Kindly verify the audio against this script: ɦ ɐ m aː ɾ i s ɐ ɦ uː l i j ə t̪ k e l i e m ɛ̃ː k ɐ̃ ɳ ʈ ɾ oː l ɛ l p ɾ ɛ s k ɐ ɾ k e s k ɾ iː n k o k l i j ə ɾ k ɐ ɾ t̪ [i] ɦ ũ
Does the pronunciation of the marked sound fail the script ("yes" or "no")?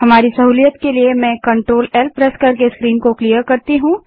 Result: no